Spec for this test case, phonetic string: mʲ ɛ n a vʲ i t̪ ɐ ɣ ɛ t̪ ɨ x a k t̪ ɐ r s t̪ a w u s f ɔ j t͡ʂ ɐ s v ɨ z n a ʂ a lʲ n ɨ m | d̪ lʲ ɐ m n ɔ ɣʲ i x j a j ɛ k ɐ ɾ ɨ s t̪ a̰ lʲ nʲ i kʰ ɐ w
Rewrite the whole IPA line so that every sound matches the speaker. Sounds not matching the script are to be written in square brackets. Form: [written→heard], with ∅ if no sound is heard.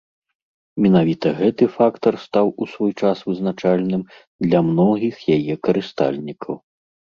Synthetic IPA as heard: mʲ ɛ n a vʲ i t̪ ɐ ɣ ɛ t̪ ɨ [x→f] a k t̪ ɐ r s t̪ a w u s [f→v] ɔ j t͡ʂ [ɐ→a] s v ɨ z n a [ʂ→t͡ʂ] a lʲ n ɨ m | d̪ lʲ ɐ m n ɔ ɣʲ i x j a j ɛ k ɐ ɾ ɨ s t̪ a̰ lʲ nʲ i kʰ ɐ w